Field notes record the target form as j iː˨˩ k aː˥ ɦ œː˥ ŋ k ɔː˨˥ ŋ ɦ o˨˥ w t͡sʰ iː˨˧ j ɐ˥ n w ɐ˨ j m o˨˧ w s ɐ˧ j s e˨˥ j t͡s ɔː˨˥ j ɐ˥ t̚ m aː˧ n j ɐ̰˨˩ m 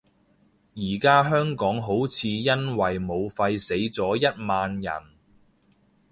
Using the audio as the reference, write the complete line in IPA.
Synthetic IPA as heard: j iː˨˩ k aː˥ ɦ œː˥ ŋ k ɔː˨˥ ŋ ɦ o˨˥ w t͡sʰ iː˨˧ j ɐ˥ n w ɐ˨ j m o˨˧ w f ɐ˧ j s e˨˥ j t͡s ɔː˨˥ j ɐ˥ t̚ m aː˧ n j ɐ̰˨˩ n